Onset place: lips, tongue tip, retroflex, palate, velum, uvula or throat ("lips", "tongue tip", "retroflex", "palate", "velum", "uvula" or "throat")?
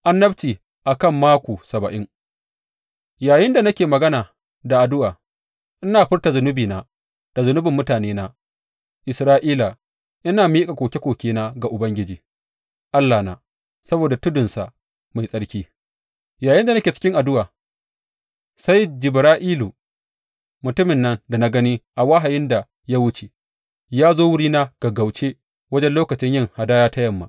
throat